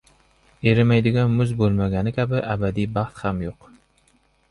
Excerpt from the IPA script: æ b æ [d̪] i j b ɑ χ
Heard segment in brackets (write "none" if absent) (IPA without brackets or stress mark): d̪